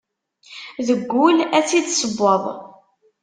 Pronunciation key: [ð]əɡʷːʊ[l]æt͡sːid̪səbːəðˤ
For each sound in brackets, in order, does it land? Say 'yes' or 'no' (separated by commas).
yes, yes